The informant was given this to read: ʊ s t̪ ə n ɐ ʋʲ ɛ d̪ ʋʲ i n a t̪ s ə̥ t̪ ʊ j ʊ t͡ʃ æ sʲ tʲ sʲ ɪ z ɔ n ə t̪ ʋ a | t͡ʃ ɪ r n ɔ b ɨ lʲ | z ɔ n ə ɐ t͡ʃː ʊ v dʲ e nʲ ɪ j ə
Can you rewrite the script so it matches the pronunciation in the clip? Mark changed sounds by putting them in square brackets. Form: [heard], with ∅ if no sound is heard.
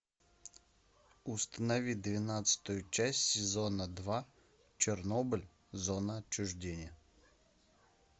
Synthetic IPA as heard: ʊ s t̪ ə n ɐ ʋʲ [i] d̪ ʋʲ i n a t̪ s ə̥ t̪ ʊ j ʊ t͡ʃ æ sʲ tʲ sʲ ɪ z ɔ n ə [d̪] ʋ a | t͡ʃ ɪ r n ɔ b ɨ lʲ | z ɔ n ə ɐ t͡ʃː ʊ [ʐ] dʲ e nʲ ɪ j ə

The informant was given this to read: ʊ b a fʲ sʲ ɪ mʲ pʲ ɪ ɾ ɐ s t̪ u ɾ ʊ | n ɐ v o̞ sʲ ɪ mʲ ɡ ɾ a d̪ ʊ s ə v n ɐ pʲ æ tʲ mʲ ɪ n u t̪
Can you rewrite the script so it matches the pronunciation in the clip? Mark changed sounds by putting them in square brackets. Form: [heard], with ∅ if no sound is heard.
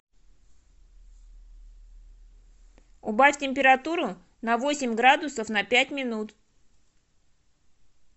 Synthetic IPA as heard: ʊ b a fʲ [tʲ] ɪ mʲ pʲ ɪ ɾ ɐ [∅] t̪ u ɾ ʊ | n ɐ v o̞ sʲ ɪ mʲ ɡ ɾ a d̪ ʊ s ə [f] n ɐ pʲ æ tʲ mʲ ɪ n u t̪

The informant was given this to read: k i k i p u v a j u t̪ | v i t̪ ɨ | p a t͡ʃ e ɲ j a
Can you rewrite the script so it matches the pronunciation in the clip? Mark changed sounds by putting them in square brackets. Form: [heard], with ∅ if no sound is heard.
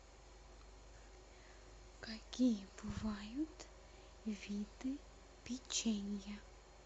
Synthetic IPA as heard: k [a] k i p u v a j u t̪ | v i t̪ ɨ | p [i] t͡ʃ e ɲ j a

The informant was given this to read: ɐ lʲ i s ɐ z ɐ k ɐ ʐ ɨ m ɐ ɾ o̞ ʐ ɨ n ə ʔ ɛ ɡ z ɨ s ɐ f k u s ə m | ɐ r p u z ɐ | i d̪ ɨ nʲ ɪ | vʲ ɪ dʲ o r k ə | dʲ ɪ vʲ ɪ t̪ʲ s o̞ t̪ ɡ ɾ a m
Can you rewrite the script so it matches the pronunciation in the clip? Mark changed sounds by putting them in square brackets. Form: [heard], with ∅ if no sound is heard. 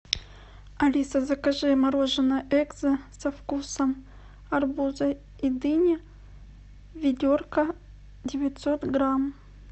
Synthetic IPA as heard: ɐ lʲ i s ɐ z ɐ k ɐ ʐ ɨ m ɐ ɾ o̞ ʐ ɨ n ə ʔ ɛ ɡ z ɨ s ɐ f k u s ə m | ɐ r [b] u z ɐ | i d̪ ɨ nʲ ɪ | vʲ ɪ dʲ o r k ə | dʲ ɪ vʲ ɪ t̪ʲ s o̞ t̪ ɡ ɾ a m

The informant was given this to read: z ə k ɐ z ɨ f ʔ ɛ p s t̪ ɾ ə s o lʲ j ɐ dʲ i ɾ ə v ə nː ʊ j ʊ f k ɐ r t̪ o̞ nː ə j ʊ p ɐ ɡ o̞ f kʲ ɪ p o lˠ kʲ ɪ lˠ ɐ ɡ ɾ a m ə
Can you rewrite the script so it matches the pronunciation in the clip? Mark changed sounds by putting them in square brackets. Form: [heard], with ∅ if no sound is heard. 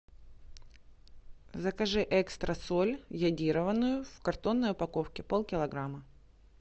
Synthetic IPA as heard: z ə k ɐ [ʐ] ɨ [∅] ʔ ɛ [k] s t̪ ɾ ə s o lʲ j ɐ dʲ i ɾ ə v ə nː ʊ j ʊ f k ɐ r t̪ o̞ nː ə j ʊ p ɐ [k] o̞ f kʲ ɪ p o lˠ kʲ ɪ lˠ ɐ ɡ ɾ a m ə

